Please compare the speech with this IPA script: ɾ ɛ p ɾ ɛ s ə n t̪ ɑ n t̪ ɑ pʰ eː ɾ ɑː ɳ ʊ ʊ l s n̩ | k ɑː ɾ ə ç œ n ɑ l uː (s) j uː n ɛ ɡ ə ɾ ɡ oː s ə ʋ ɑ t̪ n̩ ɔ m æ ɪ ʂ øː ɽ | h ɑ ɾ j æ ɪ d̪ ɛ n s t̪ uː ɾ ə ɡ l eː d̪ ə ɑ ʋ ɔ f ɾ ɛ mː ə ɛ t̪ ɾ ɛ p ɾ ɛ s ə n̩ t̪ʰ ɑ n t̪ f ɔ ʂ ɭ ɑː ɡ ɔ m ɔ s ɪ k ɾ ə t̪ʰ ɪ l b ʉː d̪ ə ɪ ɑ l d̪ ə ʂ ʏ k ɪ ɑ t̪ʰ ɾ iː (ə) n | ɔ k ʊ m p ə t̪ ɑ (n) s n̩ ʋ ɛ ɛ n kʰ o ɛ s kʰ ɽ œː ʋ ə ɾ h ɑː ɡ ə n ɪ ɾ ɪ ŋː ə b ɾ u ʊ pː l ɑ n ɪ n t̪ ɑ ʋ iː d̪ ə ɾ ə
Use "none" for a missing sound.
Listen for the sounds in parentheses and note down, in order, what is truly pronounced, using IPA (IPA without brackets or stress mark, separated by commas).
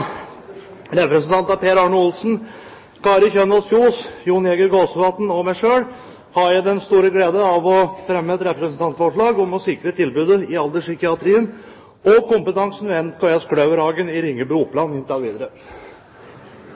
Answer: s, ə, ŋ